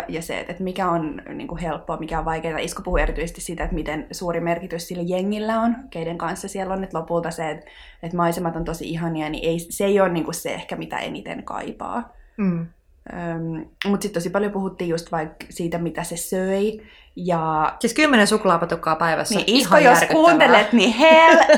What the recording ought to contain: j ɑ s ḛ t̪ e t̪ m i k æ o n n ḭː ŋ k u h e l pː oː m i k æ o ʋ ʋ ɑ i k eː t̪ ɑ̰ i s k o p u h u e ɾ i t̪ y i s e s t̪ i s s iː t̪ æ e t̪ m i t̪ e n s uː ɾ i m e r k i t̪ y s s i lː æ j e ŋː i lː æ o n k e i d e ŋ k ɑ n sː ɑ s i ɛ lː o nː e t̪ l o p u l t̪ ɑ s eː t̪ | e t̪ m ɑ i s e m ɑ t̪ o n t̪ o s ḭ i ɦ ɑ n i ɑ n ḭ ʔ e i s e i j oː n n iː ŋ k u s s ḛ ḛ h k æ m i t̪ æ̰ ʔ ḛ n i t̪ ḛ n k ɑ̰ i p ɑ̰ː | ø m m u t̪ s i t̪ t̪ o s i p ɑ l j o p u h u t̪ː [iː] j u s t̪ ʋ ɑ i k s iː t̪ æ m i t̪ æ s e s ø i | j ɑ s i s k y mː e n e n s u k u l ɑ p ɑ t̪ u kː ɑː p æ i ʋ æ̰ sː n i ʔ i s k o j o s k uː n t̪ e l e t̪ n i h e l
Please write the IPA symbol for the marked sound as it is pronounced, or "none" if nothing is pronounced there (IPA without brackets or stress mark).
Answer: iː